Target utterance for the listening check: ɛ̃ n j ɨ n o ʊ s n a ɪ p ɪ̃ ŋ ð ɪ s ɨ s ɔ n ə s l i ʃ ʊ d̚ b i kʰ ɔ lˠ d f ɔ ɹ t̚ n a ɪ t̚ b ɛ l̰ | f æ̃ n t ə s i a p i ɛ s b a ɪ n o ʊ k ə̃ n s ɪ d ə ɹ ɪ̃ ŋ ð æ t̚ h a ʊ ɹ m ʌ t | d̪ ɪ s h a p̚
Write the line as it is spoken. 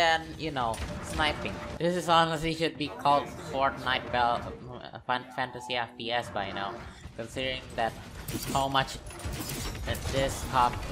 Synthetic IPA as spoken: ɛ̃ n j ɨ n o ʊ s n a ɪ p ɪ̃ ŋ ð ɪ s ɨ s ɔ n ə s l i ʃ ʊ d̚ b i kʰ ɔ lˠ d f ɔ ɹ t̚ n a ɪ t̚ b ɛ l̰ | f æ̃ n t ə s i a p i ɛ s b a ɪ n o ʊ k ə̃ n s ɪ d ə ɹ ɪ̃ ŋ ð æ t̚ h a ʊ m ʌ t͡ʃ | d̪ ɪ s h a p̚

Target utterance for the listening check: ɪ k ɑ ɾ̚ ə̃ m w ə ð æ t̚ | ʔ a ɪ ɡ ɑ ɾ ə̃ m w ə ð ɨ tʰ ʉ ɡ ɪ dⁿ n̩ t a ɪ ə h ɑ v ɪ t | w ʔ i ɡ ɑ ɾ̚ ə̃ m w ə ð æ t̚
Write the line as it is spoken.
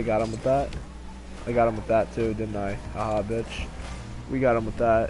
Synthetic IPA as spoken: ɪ ɡ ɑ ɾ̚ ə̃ m w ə ð æ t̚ | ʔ a ɪ ɡ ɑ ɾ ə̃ m w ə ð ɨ tʰ ʉ d ɪ dⁿ n̩ t a ɪ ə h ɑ b ɪ t͡ʃ | w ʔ i ɡ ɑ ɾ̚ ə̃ m w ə ð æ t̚

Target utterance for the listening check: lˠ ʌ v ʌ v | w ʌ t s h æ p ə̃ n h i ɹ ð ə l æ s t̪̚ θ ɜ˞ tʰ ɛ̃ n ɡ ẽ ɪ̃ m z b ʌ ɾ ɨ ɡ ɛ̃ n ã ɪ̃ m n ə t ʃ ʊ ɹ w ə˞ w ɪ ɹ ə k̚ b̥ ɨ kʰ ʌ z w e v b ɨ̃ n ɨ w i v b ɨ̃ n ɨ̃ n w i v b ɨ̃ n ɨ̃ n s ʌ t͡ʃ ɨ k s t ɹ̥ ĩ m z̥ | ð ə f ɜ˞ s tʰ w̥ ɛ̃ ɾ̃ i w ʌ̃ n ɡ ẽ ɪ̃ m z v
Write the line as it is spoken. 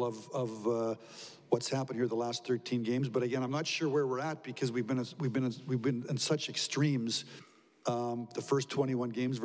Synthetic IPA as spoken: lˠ ʌ v ʌ v | w ʌ t s h æ p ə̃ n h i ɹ ð ə l æ s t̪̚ θ ɜ˞ tʰ ĩ n ɡ ẽ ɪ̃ m z b ʌ ɾ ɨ ɡ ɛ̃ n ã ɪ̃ m n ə t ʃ ʊ ɹ w ə˞ w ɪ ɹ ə t̚ b̥ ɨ kʰ ʌ z w i v b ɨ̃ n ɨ w i v b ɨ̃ n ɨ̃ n w i v b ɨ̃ n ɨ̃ n s ʌ t͡ʃ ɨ k s t ɹ̥ ĩ m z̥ | ð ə f ɜ˞ s tʰ w̥ ɛ̃ ɾ̃ i w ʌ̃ n ɡ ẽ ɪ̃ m z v

